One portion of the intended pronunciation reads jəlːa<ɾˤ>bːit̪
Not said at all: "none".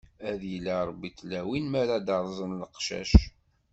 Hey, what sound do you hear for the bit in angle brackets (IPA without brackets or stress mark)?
ɾˤ